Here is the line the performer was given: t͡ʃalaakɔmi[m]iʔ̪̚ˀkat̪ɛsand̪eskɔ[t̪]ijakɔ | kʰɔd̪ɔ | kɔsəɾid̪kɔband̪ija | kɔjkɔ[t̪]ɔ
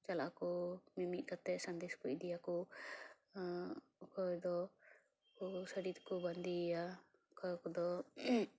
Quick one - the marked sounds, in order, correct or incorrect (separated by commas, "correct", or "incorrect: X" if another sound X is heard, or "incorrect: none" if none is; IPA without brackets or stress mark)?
correct, incorrect: d̪, incorrect: d̪